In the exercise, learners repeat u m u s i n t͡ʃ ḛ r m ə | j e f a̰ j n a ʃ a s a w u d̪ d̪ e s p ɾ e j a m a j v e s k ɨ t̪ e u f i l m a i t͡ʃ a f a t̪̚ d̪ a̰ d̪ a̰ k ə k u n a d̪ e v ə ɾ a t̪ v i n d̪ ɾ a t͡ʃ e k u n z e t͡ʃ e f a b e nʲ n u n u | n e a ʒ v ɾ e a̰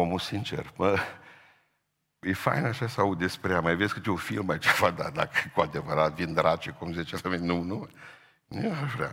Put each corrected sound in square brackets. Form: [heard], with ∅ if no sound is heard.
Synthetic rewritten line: [o] m u s i n t͡ʃ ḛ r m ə | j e f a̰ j n a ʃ a s a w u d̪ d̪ e s p ɾ e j a m a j v e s k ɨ t̪ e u f i l m a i t͡ʃ a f a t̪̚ d̪ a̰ d̪ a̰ k ə k u [∅] a d̪ e v ə ɾ a t̪ v i n d̪ ɾ a t͡ʃ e k u [m] z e t͡ʃ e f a [m] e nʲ n u n u | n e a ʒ v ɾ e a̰